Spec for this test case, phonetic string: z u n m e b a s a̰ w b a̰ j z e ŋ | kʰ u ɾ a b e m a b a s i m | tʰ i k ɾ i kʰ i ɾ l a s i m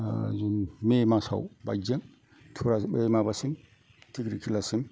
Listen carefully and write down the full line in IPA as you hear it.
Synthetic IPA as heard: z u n m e m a s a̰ w b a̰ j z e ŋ | tʰ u ɾ a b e m a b a s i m | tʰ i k ɾ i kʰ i l a s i m

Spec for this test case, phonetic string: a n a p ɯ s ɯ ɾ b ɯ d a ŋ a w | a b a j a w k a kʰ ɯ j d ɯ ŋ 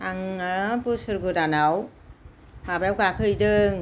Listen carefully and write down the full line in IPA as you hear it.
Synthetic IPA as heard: a ŋ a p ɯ s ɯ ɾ ɡ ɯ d a n a w | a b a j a w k a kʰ ɯ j d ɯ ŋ

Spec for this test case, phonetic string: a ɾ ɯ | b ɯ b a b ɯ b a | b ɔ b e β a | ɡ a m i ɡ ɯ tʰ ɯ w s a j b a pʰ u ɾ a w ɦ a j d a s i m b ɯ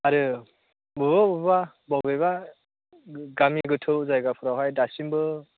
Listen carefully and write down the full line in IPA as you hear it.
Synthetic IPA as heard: a ɾ ɯ | b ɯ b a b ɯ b a | b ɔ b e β a | ɡ a m i ɡ ɯ tʰ ɯ w z a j ɡ a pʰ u ɾ a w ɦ a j d a s i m b ɯ

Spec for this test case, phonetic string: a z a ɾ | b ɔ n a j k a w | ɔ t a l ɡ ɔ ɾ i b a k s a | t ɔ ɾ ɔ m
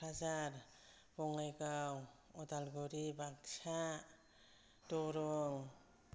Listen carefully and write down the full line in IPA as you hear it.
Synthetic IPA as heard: a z a ɾ | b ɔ ŋ a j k a w | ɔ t a l ɡ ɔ ɾ i b a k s a | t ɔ ɾ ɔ ŋ

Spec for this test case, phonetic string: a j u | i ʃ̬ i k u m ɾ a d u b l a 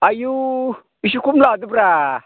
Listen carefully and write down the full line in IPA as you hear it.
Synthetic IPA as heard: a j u | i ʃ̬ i k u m l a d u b ɾ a

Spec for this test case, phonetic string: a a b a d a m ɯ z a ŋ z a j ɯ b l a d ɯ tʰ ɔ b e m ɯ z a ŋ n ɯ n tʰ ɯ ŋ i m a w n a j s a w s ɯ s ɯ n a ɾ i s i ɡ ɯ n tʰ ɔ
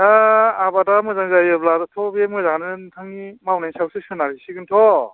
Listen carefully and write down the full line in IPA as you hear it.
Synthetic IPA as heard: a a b a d a m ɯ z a ŋ z a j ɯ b l a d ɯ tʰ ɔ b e m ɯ z a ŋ n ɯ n tʰ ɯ ŋ i m a w n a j s a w s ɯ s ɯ n a ɾ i s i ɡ ɯ n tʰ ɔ

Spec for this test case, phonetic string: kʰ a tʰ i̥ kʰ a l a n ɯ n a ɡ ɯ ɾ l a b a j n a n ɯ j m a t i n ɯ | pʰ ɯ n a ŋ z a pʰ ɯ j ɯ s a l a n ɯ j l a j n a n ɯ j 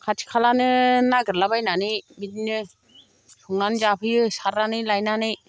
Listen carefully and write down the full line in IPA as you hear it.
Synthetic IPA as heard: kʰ a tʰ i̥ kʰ a l a n ɯ n a ɡ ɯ ɾ l a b a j n a n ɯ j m i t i n ɯ | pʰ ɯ ŋ a n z a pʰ ɯ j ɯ s a ɾ a n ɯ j l a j n a n ɯ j

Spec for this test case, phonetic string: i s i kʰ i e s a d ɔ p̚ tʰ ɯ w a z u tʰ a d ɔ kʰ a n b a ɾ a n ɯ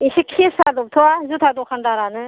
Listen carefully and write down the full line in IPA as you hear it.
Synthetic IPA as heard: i s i kʰ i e s a d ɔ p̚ tʰ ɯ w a z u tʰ a d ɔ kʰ a n d a ɾ a n ɯ

